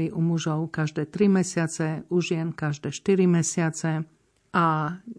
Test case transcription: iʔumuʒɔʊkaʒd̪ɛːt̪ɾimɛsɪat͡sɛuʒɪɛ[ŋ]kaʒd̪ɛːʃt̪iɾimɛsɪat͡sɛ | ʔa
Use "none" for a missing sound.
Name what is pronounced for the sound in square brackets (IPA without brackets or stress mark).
n